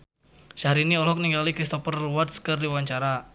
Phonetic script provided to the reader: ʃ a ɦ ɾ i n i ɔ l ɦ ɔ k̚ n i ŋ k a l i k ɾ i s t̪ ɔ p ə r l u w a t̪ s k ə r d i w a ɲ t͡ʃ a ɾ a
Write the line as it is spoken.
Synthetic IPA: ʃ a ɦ ɾ i n i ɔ l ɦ ɔ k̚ n i ŋ ɡ a l i k ɾ i s t̪ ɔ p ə r l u w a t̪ s k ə r d i w a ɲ t͡ʃ a ɾ a